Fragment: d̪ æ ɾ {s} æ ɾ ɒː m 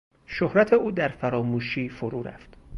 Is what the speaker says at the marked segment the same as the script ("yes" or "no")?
no